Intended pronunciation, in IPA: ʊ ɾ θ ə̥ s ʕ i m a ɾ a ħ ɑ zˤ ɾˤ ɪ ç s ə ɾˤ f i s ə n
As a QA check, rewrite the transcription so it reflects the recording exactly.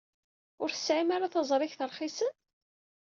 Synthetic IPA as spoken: ʊ ɾ θ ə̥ s ʕ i m a ɾ a θ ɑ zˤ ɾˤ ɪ ç θ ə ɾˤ χ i s ə n